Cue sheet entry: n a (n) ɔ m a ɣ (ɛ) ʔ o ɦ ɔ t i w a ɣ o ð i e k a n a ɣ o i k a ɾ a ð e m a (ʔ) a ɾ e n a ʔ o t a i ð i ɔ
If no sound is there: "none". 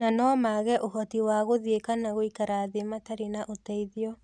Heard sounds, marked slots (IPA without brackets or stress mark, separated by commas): n, ɛ, t